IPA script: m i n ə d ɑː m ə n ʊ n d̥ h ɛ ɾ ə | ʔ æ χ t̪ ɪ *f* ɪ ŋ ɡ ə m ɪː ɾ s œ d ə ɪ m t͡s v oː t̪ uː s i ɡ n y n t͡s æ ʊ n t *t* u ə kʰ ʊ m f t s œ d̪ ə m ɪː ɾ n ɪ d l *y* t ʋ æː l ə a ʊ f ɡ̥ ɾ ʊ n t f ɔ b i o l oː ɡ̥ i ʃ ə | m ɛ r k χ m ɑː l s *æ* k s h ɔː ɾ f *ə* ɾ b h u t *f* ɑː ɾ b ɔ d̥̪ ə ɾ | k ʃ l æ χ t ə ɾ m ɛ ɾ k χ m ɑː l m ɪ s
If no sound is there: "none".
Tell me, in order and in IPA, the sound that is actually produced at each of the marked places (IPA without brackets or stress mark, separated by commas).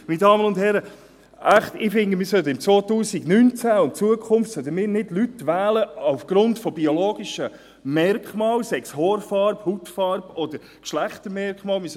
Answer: f, t͡s, y, ɛ, ɑ, f